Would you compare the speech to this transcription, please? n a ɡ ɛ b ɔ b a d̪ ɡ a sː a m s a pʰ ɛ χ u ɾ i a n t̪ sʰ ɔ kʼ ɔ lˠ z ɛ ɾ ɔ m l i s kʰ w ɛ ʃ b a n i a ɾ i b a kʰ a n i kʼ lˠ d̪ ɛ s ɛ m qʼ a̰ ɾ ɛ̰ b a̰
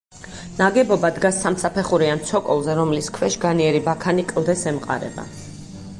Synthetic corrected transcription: n a ɡ ɛ b ɔ b a d̪ ɡ a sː a m s a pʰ ɛ χ u ɾ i a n t̪ sʰ ɔ kʼ ɔ lˠ z ɛ ɾ ɔ m l i s kʰ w ɛ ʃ ɡ a n i ɛ ɾ i b a kʰ a n i kʼ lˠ d̪ ɛ s ɛ m qʼ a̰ ɾ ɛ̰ b a̰